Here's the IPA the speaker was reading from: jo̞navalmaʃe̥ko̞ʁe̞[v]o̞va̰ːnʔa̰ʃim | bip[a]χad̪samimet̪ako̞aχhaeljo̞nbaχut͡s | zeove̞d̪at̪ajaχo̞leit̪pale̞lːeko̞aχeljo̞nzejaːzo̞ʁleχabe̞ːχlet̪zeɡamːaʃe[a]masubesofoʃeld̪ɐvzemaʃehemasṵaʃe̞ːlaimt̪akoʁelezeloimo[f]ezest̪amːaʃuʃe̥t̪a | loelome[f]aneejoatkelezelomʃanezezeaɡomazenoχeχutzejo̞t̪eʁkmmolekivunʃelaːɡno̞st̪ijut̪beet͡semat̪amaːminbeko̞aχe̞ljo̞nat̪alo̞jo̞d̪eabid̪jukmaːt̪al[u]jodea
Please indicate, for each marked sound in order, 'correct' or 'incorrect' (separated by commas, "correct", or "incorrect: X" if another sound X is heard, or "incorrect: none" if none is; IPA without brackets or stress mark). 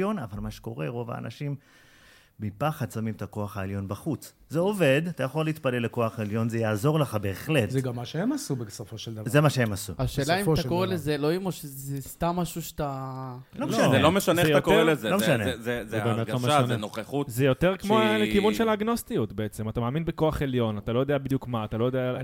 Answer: incorrect: ʁ, correct, incorrect: e, incorrect: ʃ, incorrect: ʃ, incorrect: o